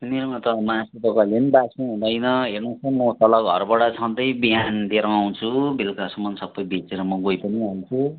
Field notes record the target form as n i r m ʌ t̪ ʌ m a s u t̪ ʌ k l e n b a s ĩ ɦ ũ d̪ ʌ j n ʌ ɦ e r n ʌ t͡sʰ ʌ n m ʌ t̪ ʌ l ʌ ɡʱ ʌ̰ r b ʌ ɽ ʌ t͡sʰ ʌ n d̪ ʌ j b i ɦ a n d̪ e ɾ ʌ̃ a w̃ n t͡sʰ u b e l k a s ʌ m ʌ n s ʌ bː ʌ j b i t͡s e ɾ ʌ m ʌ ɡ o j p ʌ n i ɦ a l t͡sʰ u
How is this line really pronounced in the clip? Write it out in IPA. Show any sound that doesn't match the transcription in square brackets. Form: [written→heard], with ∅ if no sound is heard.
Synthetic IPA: n i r m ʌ t̪ ʌ m a s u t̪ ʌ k l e n b a s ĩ ɦ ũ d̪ ʌ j n ʌ ɦ e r n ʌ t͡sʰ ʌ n m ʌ t̪ ʌ l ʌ ɡʱ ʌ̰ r b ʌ ɽ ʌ t͡sʰ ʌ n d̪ ʌ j b i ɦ a n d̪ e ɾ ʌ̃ a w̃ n t͡sʰ u b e l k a s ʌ m ʌ n s ʌ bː ʌ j b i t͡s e ɾ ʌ m ʌ ɡ o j p ʌ n i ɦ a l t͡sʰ u